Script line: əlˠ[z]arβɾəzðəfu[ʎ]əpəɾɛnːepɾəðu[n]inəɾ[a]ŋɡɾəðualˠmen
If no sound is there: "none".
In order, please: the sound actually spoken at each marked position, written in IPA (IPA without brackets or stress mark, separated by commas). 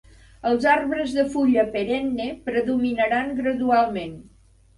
z, ʎ, m, a